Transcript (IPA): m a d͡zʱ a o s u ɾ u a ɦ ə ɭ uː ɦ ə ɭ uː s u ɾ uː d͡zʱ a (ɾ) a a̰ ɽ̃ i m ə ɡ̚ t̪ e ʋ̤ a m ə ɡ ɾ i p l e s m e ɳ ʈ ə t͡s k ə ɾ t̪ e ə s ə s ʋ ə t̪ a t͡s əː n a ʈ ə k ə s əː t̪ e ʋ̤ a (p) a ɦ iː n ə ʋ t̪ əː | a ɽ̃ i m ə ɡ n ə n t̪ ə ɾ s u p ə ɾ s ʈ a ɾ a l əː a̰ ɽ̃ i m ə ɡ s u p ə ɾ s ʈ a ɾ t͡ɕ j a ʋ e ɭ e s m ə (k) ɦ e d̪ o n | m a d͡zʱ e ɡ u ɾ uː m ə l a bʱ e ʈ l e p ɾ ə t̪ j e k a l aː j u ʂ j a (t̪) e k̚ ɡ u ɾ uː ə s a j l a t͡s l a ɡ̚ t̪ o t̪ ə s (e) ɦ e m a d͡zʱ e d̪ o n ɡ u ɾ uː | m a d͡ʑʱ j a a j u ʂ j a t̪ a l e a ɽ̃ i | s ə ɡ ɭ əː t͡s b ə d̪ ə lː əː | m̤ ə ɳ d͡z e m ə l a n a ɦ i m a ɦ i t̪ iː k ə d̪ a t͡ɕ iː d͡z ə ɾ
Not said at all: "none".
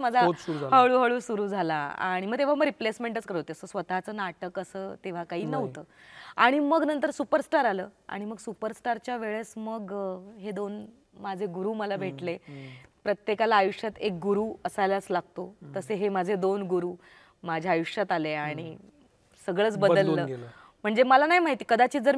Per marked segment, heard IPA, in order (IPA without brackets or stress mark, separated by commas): l, k, ɡ, t̪, e